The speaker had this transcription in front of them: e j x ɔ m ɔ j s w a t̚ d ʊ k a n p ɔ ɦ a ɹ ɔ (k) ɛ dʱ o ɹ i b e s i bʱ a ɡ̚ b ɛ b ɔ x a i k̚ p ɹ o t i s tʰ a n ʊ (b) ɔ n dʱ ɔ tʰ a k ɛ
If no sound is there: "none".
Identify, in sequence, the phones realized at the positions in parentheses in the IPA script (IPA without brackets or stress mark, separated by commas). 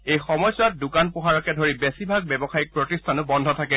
k, b